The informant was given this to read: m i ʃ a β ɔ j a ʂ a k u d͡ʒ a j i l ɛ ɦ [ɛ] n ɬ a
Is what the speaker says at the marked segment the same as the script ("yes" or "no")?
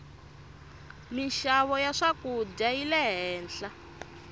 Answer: no